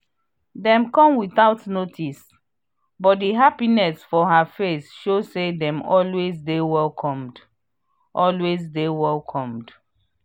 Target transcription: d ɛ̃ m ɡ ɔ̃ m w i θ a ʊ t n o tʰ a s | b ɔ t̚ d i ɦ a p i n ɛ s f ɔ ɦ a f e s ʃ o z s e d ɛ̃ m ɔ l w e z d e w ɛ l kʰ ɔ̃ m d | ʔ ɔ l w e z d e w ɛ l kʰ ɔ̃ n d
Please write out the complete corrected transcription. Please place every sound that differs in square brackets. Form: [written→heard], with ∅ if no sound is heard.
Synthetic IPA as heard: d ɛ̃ m [ɡ→k] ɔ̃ m w i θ a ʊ t n o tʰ [a→i] s | b ɔ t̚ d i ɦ a p i n ɛ s f ɔ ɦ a f e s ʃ o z s e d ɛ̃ m ɔ l w e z d e w ɛ l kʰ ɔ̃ m d | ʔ ɔ l w e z d e w ɛ l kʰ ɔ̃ [n→m] d